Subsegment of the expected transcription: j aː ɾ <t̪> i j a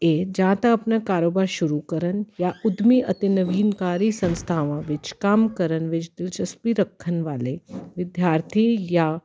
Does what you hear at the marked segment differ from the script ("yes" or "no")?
yes